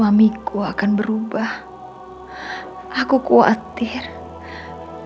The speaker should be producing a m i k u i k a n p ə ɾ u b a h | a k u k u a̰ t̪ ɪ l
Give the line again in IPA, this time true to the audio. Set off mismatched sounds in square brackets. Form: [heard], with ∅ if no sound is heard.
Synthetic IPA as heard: a m i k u [a] k a n [b] ə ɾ u b a h | a k u k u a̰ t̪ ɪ [r]